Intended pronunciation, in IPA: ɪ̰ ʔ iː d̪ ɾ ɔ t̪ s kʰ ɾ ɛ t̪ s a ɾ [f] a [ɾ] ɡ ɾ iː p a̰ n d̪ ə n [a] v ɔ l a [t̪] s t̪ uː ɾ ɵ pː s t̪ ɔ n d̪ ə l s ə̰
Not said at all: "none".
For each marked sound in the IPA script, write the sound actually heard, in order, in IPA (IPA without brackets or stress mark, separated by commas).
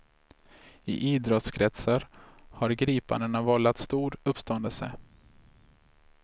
h, ɾ, a, t̪